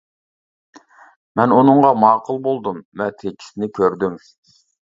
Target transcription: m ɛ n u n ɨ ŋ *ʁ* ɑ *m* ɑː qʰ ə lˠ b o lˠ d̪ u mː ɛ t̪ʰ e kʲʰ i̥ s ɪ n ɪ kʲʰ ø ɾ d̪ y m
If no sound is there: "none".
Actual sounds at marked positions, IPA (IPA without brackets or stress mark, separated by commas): ʁ, m